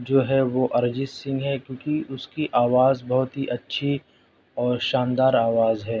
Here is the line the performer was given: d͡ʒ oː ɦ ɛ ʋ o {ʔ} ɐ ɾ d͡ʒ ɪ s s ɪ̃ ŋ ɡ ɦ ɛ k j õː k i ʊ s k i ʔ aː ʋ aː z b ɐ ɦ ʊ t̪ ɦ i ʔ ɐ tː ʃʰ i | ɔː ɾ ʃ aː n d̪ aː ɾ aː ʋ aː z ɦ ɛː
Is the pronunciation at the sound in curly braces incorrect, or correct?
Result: correct